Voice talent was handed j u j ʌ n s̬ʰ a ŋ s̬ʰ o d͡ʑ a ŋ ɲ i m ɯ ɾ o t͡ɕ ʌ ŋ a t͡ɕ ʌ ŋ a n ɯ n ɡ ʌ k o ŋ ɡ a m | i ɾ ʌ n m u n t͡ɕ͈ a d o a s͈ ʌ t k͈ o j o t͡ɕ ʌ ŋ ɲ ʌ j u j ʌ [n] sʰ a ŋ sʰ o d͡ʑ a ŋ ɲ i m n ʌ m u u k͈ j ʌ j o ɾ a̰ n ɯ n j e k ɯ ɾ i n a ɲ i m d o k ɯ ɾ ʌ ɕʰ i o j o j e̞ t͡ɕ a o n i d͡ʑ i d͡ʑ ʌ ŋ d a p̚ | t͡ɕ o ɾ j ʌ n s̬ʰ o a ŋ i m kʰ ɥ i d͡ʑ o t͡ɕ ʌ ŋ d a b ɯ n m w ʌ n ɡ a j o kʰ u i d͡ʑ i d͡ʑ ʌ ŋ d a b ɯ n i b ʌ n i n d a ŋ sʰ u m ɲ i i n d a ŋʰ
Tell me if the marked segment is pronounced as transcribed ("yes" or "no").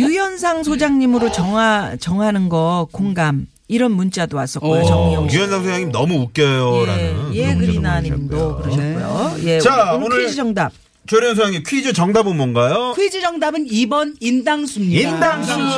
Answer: yes